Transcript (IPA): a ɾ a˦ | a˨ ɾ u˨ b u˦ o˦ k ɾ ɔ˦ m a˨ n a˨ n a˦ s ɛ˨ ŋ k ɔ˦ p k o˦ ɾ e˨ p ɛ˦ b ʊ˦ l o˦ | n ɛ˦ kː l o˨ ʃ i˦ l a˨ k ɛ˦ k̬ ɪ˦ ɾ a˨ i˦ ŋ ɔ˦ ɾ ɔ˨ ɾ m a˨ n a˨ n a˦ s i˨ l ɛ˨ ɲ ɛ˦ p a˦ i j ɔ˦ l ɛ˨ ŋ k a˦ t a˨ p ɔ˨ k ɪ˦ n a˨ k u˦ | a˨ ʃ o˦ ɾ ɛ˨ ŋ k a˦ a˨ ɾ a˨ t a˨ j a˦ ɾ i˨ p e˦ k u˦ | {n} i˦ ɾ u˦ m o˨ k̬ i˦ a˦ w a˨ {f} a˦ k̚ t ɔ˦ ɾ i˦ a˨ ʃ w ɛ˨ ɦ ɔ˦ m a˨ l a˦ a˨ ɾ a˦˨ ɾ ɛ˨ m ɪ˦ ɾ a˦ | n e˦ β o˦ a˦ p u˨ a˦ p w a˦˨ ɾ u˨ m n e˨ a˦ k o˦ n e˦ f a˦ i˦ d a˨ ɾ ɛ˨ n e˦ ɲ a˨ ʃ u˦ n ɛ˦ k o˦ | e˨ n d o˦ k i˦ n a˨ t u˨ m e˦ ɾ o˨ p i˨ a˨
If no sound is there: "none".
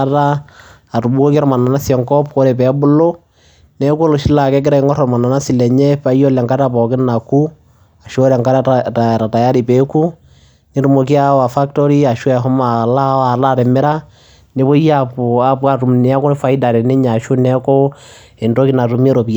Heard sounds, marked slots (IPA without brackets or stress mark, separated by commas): n, f